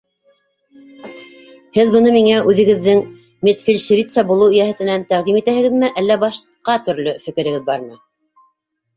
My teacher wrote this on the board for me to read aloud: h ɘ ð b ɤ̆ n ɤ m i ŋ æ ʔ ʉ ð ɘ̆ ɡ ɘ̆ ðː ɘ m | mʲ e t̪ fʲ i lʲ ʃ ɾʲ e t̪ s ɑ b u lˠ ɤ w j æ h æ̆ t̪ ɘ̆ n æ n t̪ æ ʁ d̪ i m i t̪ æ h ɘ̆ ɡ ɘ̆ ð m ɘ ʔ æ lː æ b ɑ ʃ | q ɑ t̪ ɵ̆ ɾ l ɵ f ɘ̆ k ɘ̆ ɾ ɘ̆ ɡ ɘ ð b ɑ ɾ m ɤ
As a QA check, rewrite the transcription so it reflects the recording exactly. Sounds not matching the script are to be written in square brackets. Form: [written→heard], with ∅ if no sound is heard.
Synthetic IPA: h ɘ ð b ɤ̆ n ɤ m i ŋ æ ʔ ʉ ð ɘ̆ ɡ ɘ̆ ðː ɘ [m→ŋ] | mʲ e t̪ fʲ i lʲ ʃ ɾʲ [e→i] t̪ s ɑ b u lˠ ɤ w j æ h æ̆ t̪ ɘ̆ n æ n t̪ æ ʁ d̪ i m i t̪ æ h ɘ̆ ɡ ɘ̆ ð m ɘ ʔ æ lː æ b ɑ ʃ | q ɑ t̪ ɵ̆ ɾ l ɵ f ɘ̆ k ɘ̆ ɾ ɘ̆ ɡ ɘ ð b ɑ ɾ m ɤ